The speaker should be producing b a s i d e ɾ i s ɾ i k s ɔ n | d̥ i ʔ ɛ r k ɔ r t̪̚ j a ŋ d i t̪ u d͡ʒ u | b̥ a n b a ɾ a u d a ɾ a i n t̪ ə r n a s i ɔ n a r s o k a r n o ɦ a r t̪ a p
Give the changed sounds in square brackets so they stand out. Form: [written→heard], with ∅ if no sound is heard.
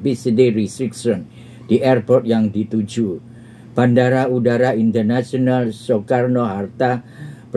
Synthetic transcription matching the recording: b [a→i] s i d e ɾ i s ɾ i k s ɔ n | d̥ i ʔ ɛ r [k→p] ɔ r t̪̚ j a ŋ d i t̪ u d͡ʒ u | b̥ a n [b→d] a ɾ a u d a ɾ a i n t̪ ə r n a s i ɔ n a [r→l] s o k a r n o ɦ a r t̪ a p